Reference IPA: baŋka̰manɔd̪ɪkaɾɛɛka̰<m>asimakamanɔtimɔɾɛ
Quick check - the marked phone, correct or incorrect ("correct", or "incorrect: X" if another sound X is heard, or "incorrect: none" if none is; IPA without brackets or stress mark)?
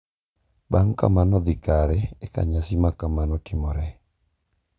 incorrect: ɲ